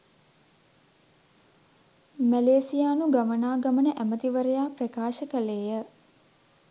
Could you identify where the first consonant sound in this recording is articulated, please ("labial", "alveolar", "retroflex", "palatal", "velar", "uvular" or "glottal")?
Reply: labial